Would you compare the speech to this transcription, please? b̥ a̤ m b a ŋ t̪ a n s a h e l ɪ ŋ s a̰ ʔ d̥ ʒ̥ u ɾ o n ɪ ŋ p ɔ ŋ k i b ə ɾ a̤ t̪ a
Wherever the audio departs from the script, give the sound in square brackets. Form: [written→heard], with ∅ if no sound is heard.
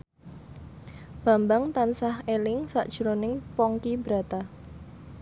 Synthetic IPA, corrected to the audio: b̥ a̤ m b a ŋ t̪ a n s a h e l ɪ ŋ s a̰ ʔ d̥ ʒ̥ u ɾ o n ɪ ŋ p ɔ ŋ k i b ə ɾ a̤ t̪ a